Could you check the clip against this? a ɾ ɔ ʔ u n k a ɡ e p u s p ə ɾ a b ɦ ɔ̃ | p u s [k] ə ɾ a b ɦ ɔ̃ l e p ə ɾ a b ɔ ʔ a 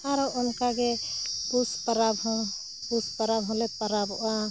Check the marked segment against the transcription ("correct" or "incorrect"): incorrect